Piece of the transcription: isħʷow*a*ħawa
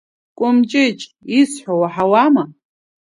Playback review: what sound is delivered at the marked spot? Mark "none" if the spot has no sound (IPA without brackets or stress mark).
a